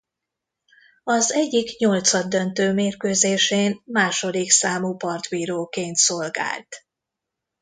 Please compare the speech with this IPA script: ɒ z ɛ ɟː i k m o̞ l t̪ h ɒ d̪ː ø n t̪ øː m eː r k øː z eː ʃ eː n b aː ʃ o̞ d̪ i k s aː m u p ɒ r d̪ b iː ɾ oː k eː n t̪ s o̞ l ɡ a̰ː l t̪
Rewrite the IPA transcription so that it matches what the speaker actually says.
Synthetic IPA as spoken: ɒ z ɛ ɟː i k ɲ o̞ l t̪ s ɒ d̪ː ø n t̪ øː m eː r k øː z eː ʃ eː n m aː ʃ o̞ d̪ i k s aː m u p ɒ r t̪ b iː ɾ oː k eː n t̪ s o̞ l ɡ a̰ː l t̪